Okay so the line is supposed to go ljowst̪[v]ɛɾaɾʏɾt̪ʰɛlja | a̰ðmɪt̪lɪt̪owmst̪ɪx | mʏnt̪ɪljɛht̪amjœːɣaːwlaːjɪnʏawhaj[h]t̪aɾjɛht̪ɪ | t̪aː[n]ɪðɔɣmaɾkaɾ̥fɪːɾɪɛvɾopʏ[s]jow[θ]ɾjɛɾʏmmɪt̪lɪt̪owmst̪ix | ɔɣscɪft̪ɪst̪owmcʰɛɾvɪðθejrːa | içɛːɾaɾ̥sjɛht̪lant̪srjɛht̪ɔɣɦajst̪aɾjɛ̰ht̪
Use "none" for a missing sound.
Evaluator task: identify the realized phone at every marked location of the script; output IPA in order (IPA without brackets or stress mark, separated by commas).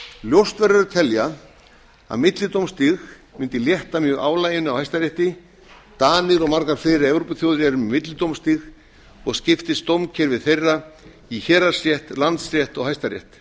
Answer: v, s, n, θ, ð